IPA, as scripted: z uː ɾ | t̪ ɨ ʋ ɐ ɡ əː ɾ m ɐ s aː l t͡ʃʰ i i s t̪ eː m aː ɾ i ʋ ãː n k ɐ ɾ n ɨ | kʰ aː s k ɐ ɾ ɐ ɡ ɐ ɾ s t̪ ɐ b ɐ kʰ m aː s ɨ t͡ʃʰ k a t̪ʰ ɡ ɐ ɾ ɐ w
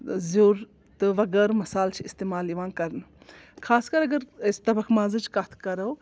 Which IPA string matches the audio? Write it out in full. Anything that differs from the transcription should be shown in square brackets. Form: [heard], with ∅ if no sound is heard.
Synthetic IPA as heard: z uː ɾ | t̪ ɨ ʋ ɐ ɡ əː ɾ m ɐ s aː l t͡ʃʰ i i s t̪ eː m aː [l] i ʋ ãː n k ɐ ɾ n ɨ | kʰ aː s k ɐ ɾ ɐ ɡ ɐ ɾ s t̪ ɐ b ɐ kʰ m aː [z] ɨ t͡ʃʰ k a t̪ʰ [k] ɐ ɾ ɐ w